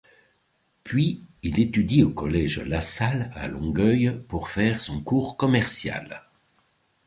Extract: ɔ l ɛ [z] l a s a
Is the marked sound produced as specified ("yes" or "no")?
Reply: no